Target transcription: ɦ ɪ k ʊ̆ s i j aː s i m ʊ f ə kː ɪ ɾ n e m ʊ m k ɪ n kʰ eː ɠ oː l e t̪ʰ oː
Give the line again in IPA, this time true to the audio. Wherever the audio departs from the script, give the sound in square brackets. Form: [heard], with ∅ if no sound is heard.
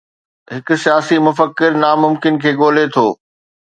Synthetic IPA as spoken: ɦ ɪ k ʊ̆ s i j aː s i m ʊ f ə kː ɪ ɾ n [a] m ʊ m k ɪ n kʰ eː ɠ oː l e t̪ʰ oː